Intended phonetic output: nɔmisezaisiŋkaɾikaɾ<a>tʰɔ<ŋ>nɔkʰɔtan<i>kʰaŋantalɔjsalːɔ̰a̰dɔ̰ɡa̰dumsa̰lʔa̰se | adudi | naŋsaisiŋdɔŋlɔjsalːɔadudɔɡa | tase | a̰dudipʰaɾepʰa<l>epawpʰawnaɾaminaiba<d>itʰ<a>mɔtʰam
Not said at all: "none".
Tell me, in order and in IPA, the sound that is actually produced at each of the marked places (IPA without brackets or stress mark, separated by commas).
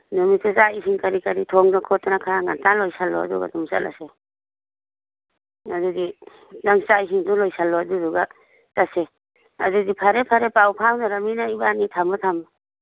i, ŋ, a, ɾ, n, a